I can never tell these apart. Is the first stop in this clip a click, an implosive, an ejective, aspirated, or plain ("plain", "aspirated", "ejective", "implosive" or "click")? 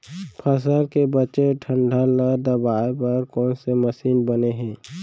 aspirated